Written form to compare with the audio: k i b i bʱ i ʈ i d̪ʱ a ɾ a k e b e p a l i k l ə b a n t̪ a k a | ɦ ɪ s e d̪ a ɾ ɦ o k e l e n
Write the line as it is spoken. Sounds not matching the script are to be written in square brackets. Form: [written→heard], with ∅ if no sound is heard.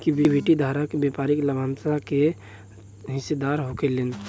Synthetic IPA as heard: k i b i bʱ i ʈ i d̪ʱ a ɾ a k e b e p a [l→ɾ] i k l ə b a n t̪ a k [a→e] | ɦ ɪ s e d̪ a ɾ ɦ o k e l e n